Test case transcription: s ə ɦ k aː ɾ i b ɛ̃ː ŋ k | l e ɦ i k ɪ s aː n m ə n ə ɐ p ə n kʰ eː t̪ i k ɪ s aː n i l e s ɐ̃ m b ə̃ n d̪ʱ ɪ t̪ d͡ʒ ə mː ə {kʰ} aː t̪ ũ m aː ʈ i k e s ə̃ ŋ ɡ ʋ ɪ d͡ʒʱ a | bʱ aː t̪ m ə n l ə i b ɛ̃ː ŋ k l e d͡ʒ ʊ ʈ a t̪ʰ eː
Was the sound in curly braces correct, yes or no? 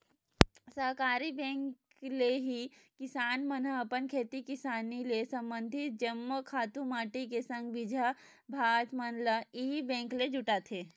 yes